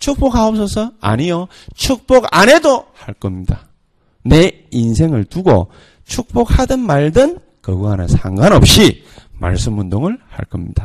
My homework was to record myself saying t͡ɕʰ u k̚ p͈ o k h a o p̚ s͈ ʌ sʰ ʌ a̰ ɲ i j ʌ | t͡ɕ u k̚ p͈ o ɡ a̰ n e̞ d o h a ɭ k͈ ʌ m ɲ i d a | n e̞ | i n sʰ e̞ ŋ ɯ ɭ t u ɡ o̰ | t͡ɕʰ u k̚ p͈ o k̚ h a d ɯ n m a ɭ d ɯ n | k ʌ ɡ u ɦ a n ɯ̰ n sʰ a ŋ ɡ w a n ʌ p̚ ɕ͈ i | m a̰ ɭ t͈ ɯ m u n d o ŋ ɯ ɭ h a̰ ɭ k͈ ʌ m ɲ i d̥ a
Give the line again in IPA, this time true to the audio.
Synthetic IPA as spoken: t͡ɕʰ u k̚ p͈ o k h a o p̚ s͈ ʌ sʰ ʌ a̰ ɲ i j ʌ | t͡ɕʰ u k̚ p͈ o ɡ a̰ n e̞ d o h a ɭ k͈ ʌ m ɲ i d a | n e̞ | i n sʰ e̞ ŋ ɯ ɭ t u ɡ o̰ | t͡ɕʰ u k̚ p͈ o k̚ h a d ɯ n m a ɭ d ɯ n | k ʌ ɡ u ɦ a n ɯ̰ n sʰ a ŋ ɡ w a n ʌ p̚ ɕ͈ i | m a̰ ɭ s͈ ɯ m u n d o ŋ ɯ ɭ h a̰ ɭ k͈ ʌ m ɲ i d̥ a